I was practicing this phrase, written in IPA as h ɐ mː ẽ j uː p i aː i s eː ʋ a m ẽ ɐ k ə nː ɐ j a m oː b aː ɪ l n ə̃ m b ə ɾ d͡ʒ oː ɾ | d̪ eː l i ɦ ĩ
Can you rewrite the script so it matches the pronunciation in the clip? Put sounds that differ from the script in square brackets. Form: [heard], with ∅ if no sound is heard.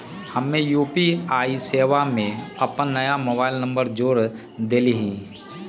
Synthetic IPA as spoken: h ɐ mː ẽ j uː p i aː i s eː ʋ a m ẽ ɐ [p] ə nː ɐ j a m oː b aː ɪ l n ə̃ m b ə ɾ d͡ʒ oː ɾ | d̪ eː l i ɦ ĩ